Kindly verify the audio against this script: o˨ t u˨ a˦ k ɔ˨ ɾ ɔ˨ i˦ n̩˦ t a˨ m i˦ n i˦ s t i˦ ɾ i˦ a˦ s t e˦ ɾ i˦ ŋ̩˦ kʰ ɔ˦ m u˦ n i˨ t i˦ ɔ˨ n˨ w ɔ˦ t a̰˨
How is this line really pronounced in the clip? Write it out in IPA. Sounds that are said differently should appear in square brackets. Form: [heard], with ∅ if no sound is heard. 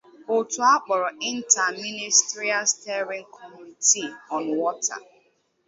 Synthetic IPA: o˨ t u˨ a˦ [k͡p] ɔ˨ ɾ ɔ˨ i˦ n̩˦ t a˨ m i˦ n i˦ s t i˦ ɾ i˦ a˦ s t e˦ ɾ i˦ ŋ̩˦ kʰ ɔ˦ m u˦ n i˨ t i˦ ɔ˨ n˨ w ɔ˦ t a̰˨